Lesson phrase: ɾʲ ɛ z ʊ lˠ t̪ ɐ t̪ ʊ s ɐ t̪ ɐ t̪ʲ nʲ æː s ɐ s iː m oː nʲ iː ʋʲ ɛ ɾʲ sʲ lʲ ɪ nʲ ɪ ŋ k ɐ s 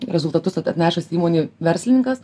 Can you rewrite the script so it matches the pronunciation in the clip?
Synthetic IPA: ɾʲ ɛ z ʊ lˠ t̪ ɐ t̪ ʊ s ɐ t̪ ɐ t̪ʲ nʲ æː ʃ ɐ s iː m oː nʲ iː ʋʲ ɛ ɾʲ sʲ lʲ ɪ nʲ ɪ ŋ k ɐ s